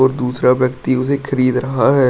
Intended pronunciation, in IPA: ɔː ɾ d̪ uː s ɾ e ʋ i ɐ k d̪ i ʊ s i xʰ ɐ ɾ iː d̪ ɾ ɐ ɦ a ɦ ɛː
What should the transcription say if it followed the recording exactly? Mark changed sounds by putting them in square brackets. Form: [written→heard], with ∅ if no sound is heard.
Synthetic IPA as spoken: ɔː ɾ d̪ uː s ɾ [e→a] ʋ [i→j] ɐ k [d̪→t̪] i ʊ s [i→e] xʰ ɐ ɾ iː d̪ ɾ ɐ ɦ a ɦ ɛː